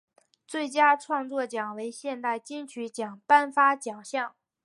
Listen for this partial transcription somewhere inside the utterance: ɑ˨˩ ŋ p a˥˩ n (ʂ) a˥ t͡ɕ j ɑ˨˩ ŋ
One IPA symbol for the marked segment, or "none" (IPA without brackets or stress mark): f